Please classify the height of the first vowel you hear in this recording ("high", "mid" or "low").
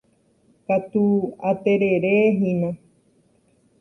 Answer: low